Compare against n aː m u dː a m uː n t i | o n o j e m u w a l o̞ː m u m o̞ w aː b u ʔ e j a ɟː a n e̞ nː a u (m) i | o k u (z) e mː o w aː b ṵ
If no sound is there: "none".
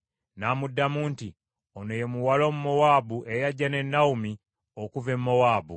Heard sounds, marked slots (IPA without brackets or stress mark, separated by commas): m, v